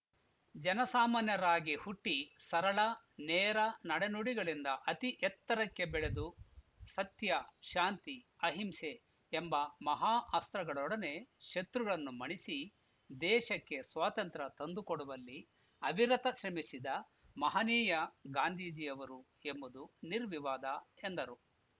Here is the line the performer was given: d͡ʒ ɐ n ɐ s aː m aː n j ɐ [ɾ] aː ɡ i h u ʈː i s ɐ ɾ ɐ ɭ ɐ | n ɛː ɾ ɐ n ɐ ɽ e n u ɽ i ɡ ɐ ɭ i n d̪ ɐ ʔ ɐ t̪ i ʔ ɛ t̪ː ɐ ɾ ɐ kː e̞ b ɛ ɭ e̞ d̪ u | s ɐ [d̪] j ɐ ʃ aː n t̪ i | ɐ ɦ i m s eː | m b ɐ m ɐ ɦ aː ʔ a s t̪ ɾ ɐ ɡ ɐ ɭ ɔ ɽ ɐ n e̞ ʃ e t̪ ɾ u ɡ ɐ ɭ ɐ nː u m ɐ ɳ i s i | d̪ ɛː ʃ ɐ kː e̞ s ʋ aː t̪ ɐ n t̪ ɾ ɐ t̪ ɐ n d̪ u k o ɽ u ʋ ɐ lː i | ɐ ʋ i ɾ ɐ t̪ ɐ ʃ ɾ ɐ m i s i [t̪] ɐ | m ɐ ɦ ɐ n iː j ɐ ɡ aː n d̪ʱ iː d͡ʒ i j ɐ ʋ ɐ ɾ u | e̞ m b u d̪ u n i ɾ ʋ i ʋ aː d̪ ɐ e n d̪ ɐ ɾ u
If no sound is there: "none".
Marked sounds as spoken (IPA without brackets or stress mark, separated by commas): ɾ, t̪, d̪